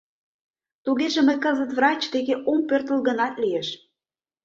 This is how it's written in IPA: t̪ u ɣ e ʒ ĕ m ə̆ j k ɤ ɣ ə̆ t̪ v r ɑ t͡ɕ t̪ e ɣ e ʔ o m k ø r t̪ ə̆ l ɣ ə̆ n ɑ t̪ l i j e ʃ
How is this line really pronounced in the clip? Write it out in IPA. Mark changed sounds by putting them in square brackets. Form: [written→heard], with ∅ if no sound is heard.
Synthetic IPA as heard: t̪ u ɣ e ʒ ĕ m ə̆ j k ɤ [ɣ→z] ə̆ t̪ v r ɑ t͡ɕ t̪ e ɣ e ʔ o m [k→p] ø r t̪ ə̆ l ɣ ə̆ n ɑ t̪ l i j e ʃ